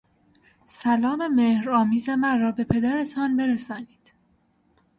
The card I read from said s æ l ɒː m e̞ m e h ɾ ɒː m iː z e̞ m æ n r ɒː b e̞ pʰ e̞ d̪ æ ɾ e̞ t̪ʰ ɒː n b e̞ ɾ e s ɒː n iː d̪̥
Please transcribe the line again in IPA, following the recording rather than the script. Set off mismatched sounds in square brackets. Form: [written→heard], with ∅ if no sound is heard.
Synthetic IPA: s æ l ɒː m e̞ m e h ɾ ɒː m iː z e̞ m æ n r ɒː b e̞ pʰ e̞ d̪ æ ɾ e̞ t̪ʰ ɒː n b e̞ ɾ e s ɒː n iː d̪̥